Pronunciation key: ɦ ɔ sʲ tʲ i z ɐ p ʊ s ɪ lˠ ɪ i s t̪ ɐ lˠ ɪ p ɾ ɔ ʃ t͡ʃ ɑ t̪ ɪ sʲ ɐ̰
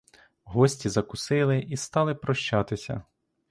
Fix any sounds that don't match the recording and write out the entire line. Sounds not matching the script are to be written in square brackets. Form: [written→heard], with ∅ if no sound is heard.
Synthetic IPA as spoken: ɦ ɔ sʲ tʲ i z ɐ [p→k] ʊ s ɪ lˠ ɪ i s t̪ [ɐ→ɑ] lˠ ɪ p ɾ ɔ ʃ t͡ʃ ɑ t̪ ɪ sʲ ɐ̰